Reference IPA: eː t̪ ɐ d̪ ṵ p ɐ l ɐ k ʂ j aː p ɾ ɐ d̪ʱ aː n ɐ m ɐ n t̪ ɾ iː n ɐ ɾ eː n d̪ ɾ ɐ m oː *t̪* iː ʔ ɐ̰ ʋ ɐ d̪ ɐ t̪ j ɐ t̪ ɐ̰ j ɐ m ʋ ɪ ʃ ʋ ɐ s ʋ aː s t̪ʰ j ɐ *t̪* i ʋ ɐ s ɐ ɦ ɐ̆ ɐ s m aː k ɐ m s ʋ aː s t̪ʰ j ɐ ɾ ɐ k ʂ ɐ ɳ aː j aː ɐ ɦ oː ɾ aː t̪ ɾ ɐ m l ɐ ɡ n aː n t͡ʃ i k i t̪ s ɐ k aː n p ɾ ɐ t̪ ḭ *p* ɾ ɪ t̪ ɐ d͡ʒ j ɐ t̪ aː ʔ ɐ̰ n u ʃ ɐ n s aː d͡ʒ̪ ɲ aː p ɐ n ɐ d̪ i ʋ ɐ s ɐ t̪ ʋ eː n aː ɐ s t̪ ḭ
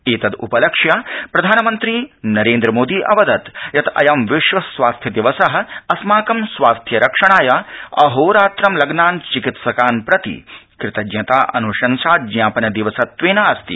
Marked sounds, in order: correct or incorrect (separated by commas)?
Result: incorrect, incorrect, incorrect